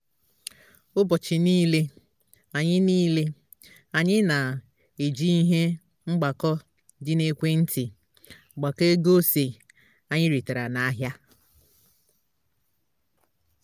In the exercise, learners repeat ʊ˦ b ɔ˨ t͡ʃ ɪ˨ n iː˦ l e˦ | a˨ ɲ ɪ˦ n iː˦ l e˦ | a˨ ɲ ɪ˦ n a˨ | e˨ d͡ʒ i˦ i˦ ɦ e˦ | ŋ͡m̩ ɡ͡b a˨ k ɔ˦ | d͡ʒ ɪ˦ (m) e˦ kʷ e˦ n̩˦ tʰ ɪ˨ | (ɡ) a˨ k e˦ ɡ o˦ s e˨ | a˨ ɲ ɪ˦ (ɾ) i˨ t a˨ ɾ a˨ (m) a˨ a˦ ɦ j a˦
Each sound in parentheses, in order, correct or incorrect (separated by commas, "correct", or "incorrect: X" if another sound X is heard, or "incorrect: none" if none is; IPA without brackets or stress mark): incorrect: n, incorrect: ɡ͡b, correct, incorrect: n